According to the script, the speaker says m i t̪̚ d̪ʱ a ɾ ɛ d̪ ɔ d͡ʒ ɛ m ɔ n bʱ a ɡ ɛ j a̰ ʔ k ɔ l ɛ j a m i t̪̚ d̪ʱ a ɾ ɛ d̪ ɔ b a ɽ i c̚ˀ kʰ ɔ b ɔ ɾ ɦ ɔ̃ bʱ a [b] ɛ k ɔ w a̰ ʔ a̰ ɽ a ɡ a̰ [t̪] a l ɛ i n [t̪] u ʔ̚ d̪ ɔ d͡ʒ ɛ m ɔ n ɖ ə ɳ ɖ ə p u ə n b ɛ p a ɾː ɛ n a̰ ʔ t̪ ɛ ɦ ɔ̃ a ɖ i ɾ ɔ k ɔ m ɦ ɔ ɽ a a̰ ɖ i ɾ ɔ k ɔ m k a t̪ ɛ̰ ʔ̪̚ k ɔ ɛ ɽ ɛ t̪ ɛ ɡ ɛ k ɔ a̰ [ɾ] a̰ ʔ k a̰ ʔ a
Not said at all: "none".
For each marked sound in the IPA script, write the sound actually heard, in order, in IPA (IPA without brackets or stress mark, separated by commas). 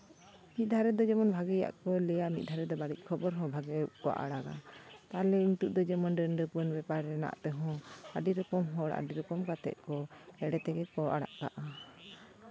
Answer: ɡ, t̪, t̪, ɽ